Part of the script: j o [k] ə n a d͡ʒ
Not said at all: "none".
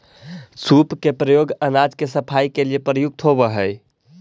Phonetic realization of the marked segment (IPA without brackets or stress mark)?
ɡ